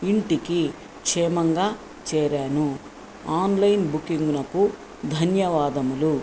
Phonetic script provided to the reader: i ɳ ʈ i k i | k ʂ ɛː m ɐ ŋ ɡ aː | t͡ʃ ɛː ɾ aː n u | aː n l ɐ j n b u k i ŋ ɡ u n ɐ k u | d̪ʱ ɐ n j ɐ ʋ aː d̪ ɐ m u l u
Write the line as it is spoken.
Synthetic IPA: i ɳ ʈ i k i | k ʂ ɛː m ɐ ŋ ɡ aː | t͡ʃ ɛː ɾ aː n u | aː n l ɐ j n b u k i ŋ ɡ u n ɐ k u | d̪ʱ ɐ n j ɐ ʋ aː d̪ ɐ m u l u